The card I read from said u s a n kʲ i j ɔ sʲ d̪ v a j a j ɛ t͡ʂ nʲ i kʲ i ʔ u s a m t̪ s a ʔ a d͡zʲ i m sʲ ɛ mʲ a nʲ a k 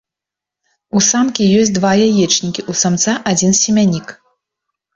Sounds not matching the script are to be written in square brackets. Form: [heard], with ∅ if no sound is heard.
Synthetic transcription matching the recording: u s a [m] kʲ i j ɔ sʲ d̪ v a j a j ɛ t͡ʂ nʲ i kʲ i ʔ u s a m t̪ s a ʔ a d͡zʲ i [n] sʲ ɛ mʲ a nʲ [i] k